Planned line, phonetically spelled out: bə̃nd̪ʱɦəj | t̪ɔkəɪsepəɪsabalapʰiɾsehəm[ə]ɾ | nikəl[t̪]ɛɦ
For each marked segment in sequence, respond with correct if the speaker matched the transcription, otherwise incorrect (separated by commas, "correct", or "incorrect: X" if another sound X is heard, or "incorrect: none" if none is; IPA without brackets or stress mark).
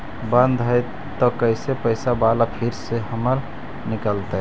correct, correct